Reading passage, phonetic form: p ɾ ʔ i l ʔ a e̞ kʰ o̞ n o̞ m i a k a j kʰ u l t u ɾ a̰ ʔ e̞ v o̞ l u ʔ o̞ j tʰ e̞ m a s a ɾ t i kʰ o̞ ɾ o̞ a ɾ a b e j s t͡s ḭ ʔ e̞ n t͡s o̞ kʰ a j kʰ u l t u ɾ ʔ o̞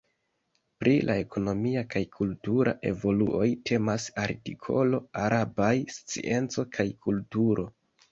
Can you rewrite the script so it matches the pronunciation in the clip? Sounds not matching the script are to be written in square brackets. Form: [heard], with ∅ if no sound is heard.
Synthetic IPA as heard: p ɾ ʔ i l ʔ a e̞ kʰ o̞ n o̞ m i a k a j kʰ u l t u ɾ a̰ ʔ e̞ v o̞ l u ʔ o̞ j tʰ e̞ m a s a ɾ t i kʰ o̞ [l] o̞ a ɾ a b [a] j s t͡s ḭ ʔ e̞ n t͡s o̞ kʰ a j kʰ u l t u ɾ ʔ o̞

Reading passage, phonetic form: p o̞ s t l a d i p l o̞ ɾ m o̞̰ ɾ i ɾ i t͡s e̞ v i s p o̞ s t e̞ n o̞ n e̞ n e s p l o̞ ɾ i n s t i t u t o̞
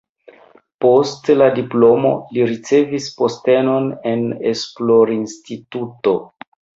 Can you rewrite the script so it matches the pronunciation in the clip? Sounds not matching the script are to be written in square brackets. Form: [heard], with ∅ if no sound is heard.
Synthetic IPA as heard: p o̞ s t l a d i p l o̞ [∅] m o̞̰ [l] i ɾ i t͡s e̞ v i s p o̞ s t e̞ n o̞ n e̞ n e s p l o̞ ɾ i n s t i t u t o̞

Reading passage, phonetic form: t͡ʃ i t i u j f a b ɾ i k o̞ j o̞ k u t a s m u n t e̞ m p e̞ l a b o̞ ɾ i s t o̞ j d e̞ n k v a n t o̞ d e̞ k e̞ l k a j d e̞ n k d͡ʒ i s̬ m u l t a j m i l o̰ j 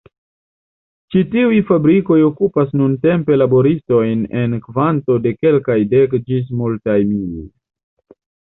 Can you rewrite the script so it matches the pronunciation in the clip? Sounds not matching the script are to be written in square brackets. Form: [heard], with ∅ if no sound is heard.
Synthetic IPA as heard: t͡ʃ i t i u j f a b ɾ i k o̞ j o̞ k u [p] a s [n] u n t e̞ m p e̞ l a b o̞ ɾ i s t o̞ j [n] e̞ n k v a n t o̞ d e̞ k e̞ l k a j d e̞ [∅] k d͡ʒ i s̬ m u l t a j m i l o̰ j

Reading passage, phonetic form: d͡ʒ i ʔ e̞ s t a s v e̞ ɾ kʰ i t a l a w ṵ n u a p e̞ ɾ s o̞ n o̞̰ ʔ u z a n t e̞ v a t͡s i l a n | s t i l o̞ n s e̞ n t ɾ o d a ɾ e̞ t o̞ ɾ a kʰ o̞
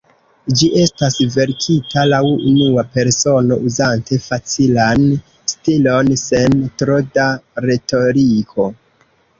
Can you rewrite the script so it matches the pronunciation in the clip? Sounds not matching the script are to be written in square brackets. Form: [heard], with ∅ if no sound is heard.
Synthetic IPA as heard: d͡ʒ i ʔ e̞ s t a s v e̞ ɾ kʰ i t a l a w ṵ n u a p e̞ ɾ s o̞ n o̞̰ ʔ u z a n t e̞ [f] a t͡s i l a n | s t i l o̞ n s e̞ n t ɾ o d a ɾ e̞ t o̞ ɾ [i] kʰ o̞

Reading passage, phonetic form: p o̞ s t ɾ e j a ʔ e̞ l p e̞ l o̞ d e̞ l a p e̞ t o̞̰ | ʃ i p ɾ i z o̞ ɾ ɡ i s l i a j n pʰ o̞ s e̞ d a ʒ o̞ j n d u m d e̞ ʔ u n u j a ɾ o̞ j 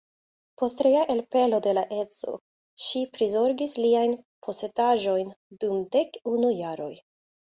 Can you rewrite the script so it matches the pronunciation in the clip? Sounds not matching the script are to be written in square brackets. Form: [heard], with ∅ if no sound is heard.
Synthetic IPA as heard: p o̞ s t ɾ e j a ʔ e̞ l p e̞ l o̞ d e̞ l a [ʔ] e̞ [t͡s] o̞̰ | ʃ i p ɾ i z o̞ ɾ ɡ i s l i a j n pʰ o̞ s e̞ d a ʒ o̞ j n d u m d e̞ [k] u n u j a ɾ o̞ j

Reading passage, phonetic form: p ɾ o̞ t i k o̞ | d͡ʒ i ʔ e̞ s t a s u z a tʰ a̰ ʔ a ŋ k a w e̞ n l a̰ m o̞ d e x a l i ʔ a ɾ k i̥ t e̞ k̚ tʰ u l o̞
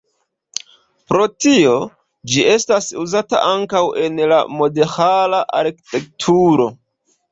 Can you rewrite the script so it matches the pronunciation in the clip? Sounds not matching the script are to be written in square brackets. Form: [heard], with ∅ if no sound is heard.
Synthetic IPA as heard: p ɾ o̞ t i [∅] o̞ | d͡ʒ i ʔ e̞ s t a s u z a [t] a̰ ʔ a ŋ k a w e̞ n l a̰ m o̞ d e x a l [a] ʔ a ɾ k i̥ t e̞ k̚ tʰ u [ɾ] o̞

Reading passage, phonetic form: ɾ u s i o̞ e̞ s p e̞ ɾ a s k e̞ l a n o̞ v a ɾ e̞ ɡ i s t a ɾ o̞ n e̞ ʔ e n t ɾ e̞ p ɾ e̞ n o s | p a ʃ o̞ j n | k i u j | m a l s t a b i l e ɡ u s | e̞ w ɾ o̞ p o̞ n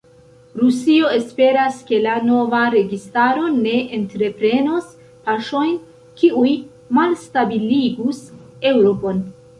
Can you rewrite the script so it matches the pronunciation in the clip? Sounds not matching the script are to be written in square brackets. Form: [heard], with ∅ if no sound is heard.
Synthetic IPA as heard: ɾ u s i o̞ e̞ s p e̞ ɾ a s k e̞ l a n o̞ v a ɾ e̞ ɡ i s t a ɾ o̞ n e̞ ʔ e n t ɾ e̞ p ɾ e̞ n o s | p a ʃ o̞ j n | k i u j | m a l s t a b i l [i] ɡ u s | e̞ w ɾ o̞ p o̞ n

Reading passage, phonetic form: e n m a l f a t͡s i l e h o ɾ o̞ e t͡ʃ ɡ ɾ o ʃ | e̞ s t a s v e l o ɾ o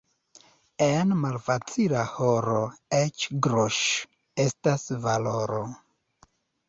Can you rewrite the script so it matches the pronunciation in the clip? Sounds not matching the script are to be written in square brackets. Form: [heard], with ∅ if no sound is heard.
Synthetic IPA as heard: e n m a l f a t͡s i l [a] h o ɾ o̞ e t͡ʃ ɡ ɾ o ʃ | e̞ s t a s v [a] l o ɾ o

